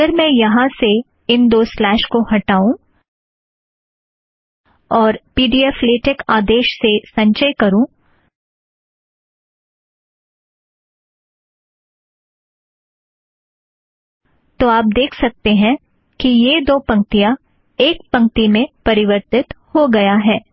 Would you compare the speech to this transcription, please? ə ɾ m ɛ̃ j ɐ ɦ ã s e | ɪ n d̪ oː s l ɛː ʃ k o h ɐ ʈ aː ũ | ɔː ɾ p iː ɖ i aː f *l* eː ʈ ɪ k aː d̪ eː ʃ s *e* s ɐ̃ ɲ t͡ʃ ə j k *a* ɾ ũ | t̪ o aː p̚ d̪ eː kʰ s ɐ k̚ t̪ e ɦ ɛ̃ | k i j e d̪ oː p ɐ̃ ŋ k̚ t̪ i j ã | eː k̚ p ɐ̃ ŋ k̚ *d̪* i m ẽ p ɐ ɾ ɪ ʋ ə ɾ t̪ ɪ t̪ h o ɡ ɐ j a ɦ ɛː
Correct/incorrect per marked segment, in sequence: correct, correct, incorrect: ɐ, incorrect: t̪

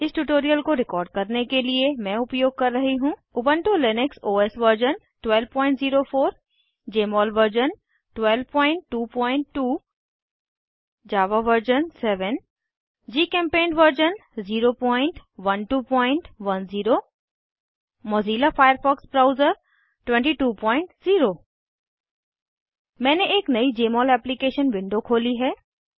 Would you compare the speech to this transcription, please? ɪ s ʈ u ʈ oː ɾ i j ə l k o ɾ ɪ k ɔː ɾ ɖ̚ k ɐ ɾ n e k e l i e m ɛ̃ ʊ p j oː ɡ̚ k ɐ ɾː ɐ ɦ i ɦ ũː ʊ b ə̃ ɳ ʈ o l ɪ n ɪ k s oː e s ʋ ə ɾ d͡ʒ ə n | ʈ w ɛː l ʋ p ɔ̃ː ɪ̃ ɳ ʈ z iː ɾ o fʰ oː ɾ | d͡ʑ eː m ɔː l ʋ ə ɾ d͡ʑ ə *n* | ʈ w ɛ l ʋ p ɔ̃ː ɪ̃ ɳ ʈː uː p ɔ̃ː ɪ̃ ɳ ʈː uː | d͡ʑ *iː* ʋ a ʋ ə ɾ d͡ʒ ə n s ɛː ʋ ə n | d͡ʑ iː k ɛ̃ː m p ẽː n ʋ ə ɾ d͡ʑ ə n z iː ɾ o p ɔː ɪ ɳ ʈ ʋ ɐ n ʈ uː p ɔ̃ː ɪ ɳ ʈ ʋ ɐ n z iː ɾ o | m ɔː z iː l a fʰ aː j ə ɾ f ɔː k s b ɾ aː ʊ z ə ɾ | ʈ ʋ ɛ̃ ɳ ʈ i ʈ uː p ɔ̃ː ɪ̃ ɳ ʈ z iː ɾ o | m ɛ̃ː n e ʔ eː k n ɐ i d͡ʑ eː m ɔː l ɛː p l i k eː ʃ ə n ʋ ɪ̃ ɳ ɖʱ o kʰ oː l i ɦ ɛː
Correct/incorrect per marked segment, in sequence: correct, incorrect: aː

